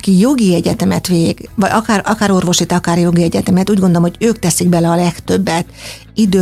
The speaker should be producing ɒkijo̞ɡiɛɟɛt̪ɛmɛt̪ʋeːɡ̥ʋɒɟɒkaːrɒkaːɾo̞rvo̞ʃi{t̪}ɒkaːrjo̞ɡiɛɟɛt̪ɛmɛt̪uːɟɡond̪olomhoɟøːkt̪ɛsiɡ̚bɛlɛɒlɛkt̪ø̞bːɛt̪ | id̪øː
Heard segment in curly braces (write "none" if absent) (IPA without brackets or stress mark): t̪